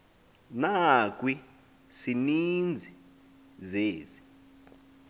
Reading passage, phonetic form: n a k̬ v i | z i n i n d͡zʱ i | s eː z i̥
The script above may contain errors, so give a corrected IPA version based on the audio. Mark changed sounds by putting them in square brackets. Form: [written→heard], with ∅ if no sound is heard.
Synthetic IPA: n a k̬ [v→w] i | [z→s] i n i n d͡zʱ i | [s→z] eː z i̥